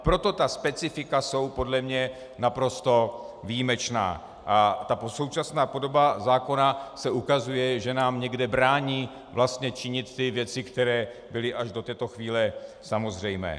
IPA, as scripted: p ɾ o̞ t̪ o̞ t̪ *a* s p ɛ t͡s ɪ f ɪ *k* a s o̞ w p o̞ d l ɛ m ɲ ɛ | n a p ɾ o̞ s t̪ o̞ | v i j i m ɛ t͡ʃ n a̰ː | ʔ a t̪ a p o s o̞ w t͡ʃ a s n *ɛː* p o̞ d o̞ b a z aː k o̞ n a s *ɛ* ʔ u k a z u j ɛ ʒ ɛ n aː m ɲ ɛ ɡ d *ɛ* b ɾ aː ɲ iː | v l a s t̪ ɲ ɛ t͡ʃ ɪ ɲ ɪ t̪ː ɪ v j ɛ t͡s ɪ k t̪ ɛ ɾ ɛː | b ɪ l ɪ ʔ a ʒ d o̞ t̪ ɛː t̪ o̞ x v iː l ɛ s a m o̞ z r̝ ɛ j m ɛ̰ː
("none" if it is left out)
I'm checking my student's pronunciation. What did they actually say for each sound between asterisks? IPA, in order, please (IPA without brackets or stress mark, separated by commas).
a, k, aː, ɛ, ɛ